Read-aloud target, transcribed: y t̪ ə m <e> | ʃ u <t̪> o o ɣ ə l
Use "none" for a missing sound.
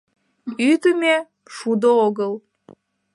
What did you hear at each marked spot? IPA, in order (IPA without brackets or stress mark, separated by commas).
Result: e, d̪